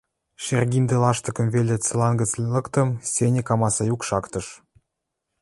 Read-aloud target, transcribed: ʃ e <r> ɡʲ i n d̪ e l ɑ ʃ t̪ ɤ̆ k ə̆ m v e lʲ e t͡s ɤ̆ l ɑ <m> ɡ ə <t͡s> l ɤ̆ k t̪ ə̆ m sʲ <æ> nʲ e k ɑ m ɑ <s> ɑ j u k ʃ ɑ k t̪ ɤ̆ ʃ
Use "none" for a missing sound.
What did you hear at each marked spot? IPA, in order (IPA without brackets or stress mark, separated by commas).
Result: r, n, t͡s, e, s